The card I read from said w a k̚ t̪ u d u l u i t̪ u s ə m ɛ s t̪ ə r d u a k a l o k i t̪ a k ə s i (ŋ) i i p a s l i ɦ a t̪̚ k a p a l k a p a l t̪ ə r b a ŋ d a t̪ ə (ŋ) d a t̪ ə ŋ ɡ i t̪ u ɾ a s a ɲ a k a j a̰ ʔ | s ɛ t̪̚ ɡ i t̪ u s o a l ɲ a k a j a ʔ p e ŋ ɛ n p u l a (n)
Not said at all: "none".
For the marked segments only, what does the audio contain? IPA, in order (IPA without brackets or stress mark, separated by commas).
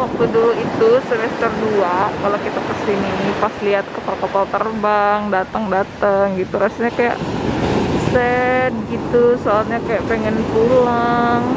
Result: n, ŋ, ŋ